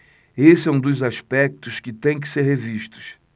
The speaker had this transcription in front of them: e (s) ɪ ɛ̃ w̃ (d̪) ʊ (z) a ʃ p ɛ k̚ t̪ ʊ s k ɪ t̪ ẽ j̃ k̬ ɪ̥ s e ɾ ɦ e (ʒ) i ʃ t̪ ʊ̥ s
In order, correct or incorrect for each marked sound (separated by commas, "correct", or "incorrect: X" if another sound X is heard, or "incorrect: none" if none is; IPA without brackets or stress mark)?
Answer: correct, correct, correct, incorrect: v